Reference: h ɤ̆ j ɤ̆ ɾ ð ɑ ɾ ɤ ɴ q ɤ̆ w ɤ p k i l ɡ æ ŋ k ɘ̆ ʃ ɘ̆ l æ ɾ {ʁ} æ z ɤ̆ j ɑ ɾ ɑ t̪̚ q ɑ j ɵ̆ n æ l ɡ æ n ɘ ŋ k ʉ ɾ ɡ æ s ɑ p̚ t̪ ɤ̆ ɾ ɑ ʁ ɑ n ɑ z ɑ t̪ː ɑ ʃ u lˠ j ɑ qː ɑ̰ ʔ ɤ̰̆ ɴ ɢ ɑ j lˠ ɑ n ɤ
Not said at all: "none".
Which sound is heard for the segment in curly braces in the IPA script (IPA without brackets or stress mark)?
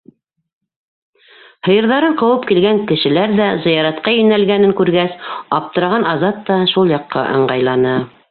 ð